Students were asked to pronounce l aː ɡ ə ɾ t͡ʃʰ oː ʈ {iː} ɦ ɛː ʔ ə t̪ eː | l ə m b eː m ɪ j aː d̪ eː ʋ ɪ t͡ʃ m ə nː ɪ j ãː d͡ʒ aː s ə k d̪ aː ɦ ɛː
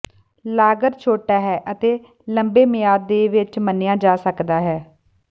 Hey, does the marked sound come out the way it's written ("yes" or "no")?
no